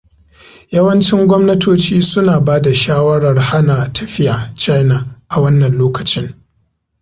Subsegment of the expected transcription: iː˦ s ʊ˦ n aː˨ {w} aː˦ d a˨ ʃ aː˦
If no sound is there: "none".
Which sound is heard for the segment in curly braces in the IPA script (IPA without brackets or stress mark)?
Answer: b